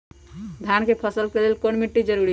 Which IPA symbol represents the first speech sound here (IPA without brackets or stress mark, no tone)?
d̪ʱ